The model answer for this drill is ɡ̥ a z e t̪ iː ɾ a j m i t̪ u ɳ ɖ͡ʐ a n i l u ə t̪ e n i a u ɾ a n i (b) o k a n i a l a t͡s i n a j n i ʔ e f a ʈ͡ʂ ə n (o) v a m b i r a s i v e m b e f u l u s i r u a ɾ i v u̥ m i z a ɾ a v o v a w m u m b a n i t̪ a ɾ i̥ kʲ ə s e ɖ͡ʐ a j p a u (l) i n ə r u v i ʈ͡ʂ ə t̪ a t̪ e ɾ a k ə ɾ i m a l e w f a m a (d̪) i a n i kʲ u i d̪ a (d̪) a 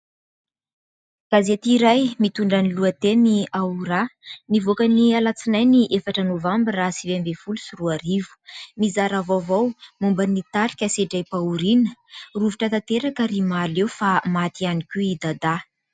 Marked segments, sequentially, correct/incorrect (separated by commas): incorrect, correct, incorrect, incorrect, correct